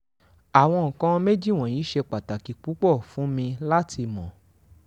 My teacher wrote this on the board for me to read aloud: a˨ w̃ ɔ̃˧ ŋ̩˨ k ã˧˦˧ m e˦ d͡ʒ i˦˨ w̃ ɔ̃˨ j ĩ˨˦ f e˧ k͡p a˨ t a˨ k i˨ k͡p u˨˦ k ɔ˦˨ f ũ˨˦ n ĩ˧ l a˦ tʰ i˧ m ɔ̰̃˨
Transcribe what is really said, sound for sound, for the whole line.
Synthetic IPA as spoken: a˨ w̃ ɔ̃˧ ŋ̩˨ k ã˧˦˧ m e˦ d͡ʒ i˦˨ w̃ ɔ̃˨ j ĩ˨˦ ʃ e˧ k͡p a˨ t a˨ k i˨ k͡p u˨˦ k͡p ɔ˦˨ f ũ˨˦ m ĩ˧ l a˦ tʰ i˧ m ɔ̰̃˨